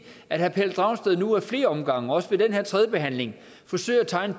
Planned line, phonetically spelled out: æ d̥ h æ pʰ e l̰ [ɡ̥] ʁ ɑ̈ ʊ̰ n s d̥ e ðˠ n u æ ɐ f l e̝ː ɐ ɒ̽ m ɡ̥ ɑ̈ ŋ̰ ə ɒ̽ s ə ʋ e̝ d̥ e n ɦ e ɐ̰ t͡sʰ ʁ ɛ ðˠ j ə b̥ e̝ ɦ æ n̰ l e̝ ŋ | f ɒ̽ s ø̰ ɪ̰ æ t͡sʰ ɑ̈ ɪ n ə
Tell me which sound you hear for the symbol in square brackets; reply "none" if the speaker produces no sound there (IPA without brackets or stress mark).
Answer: d̥